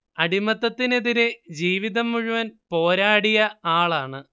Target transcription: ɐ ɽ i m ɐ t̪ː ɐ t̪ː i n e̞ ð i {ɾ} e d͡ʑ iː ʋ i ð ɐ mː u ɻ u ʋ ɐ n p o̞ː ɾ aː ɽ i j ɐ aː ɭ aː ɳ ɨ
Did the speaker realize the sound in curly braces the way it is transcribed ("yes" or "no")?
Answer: yes